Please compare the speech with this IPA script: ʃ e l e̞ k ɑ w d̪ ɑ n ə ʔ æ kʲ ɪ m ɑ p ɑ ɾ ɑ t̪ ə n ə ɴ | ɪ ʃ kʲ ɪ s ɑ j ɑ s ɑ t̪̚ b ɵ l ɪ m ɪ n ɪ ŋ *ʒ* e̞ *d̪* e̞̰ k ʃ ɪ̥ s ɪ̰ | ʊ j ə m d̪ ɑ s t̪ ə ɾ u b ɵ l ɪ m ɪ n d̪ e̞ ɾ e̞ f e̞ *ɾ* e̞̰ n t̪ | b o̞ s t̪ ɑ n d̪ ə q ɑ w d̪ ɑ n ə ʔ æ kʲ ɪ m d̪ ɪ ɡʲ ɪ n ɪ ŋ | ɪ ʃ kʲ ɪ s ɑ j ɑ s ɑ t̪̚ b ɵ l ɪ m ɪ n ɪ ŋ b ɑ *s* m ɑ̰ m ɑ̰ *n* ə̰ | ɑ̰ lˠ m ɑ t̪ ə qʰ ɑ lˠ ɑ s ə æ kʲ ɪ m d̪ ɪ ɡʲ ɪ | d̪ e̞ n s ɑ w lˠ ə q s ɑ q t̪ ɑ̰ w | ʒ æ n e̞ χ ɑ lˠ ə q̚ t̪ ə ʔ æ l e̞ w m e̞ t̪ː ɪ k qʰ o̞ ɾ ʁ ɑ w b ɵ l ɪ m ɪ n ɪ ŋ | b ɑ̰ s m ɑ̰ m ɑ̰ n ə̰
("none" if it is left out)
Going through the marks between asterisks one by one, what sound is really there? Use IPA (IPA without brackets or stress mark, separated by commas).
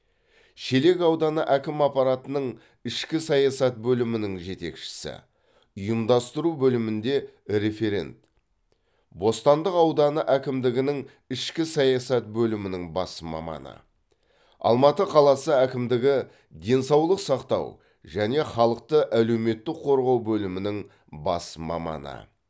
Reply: ʒ, t̪, ɾ, s, n